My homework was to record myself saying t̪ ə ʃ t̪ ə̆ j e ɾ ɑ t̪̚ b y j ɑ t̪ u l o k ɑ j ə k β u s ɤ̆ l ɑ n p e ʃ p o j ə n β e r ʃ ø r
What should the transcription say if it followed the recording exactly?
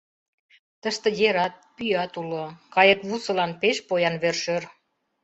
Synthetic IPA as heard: t̪ ə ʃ t̪ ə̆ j e ɾ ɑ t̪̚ p y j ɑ t̪ u l o k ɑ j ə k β u s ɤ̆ l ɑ n p e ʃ p o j ɑ n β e r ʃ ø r